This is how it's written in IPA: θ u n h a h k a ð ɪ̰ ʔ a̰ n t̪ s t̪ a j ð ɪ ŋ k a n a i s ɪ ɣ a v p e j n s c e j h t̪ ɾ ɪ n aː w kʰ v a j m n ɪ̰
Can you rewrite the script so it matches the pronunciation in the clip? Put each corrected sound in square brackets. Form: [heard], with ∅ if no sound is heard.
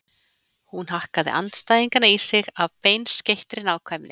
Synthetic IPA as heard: [h] u n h a h k a ð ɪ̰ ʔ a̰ n t̪ s t̪ a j ð [i] ŋ k a n a i s ɪ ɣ a v p e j n s c e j h t̪ ɾ ɪ n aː w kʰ v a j m n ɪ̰